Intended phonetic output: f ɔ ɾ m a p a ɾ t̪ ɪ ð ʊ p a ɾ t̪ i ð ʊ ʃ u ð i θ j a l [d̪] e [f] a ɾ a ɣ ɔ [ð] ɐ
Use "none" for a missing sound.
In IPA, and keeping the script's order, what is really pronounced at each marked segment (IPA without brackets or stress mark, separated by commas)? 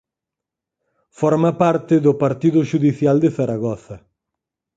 d̪, θ, θ